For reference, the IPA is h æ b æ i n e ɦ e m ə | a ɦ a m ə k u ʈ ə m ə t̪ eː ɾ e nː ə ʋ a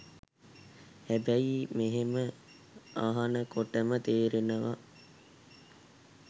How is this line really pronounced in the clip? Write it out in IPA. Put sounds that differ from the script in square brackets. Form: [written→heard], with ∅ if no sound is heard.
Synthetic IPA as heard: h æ b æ i [n→m] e ɦ e m ə | a ɦ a [m→n] ə k [u→o] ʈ ə m ə t̪ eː ɾ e [nː→n] ə ʋ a